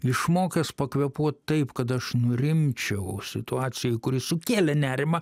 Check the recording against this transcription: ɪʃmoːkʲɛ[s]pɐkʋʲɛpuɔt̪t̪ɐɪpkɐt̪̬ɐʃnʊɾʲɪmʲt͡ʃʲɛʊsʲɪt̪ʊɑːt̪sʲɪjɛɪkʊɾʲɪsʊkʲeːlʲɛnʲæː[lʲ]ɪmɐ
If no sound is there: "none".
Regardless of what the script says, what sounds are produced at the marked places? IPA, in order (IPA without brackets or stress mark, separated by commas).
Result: s, ɾʲ